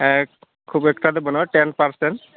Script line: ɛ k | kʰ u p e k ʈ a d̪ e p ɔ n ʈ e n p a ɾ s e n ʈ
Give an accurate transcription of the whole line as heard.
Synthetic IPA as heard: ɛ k | kʰ u b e k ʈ a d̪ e b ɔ n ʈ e n p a ɾ s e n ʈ